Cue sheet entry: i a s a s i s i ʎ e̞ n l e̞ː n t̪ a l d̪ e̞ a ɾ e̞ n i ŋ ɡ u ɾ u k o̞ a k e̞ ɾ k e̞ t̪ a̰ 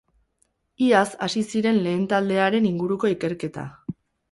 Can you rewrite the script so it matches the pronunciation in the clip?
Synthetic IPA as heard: i a s a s i s i ɾ e̞ n l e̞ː n t̪ a l d̪ e̞ a ɾ e̞ n i ŋ ɡ u ɾ u k o̞ i k e̞ ɾ k e̞ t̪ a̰